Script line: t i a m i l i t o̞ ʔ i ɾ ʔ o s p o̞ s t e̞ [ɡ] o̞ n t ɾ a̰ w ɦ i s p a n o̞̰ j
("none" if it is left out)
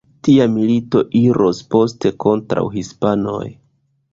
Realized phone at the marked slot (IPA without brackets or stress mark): k